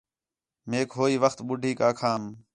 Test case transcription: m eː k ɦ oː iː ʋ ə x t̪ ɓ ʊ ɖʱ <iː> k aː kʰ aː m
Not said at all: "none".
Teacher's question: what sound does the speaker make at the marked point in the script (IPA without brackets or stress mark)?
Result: iː